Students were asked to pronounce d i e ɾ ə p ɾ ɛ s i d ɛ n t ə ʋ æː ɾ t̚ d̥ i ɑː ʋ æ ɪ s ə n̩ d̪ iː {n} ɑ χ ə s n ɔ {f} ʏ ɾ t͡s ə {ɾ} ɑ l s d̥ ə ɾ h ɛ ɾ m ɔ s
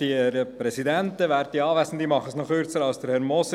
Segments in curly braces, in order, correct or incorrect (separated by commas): incorrect, incorrect, correct